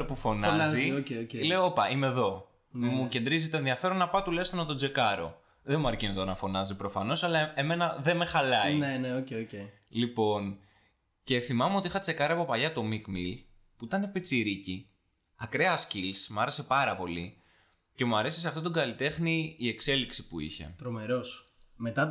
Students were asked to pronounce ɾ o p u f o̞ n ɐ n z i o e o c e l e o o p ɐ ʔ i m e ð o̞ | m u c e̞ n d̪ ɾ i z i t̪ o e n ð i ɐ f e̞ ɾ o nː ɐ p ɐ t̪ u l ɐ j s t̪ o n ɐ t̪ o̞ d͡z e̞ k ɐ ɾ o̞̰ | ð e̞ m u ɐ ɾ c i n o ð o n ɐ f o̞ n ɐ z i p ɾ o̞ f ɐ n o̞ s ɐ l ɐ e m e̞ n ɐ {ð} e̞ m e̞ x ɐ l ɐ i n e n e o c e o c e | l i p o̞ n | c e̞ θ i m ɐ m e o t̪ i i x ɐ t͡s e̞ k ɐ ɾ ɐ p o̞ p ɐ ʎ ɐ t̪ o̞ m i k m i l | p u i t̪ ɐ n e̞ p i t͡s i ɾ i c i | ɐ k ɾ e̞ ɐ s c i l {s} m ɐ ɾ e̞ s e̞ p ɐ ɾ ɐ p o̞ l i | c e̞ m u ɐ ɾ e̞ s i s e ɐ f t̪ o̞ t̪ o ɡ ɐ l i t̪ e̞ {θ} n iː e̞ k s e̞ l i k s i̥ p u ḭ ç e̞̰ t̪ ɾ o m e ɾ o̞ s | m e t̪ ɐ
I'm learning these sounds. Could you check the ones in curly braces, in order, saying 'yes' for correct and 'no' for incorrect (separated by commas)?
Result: yes, yes, no